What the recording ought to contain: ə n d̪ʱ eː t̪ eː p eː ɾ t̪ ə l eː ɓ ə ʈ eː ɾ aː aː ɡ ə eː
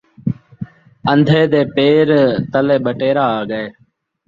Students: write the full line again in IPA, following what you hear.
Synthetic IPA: ə n d̪ʱ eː d̪ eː p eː ɾ t̪ ə l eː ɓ ə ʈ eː ɾ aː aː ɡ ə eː